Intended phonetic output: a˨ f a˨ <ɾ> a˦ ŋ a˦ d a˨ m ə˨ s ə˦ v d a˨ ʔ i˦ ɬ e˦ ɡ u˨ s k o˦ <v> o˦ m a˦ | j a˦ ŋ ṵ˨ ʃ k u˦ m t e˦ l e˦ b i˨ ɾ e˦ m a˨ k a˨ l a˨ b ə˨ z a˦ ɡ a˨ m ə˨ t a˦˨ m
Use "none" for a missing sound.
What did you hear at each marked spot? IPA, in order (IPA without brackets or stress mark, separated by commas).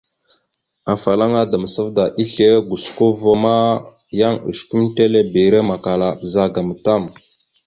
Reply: l, v